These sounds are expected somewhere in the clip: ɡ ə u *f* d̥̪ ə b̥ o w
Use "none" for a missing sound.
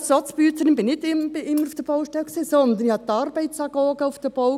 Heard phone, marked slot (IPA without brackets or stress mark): f